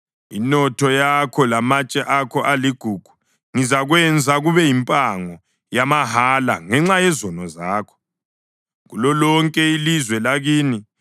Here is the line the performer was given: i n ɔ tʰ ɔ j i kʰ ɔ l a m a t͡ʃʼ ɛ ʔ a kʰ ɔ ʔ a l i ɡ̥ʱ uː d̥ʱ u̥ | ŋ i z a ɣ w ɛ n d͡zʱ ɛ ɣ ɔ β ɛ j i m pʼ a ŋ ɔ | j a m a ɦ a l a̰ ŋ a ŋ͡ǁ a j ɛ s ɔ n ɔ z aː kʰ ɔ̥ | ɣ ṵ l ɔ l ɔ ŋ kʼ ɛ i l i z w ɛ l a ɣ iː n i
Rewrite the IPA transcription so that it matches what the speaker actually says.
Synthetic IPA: i n ɔ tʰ ɔ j a kʰ ɔ l a m a t͡ʃʼ ɛ ʔ a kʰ ɔ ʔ a l i ɡ̥ʱ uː ɡ̥ʱ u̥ | ŋ i z a ɣ w ɛ n d͡zʱ a ɣ u β ɛ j i m pʼ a ŋ ɔ | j a m a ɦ a l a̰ ŋ ɛ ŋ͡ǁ a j ɛ z ɔ n ɔ z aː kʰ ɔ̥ | ɣ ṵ l ɔ l ɔ ŋ kʼ ɛ i l i z w ɛ l a ɣ iː n i